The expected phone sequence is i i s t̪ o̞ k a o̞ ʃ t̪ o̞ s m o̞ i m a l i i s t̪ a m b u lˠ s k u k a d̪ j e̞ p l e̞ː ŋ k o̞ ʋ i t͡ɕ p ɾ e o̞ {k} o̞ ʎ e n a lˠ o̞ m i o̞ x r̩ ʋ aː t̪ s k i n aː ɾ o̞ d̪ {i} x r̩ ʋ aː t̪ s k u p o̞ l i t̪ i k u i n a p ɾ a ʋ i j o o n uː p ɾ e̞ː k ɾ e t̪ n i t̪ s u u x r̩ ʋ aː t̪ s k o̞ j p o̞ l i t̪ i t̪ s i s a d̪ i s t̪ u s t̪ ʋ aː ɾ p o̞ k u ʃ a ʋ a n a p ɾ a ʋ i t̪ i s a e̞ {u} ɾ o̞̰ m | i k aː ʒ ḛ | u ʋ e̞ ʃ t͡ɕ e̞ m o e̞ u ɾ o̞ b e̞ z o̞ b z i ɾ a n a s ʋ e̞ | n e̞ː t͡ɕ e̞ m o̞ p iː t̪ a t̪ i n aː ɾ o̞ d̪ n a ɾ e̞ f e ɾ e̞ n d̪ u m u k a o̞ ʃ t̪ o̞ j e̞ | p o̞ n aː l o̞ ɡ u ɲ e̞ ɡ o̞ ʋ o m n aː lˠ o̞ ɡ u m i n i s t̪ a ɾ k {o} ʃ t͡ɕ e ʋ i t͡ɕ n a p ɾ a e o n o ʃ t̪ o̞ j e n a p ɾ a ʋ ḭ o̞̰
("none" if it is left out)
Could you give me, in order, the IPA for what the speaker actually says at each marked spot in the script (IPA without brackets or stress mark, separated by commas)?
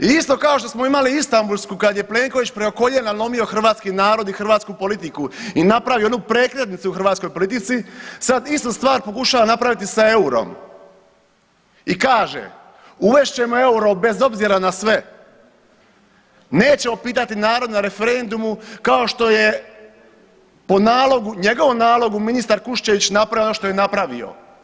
k, i, u, u